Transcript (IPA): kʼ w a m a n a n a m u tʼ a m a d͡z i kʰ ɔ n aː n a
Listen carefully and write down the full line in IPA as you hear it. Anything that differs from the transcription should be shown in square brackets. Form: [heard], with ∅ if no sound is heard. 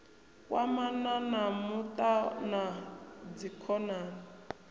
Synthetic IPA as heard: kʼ w a m a n a n a m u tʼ a [n] a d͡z i kʰ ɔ n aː n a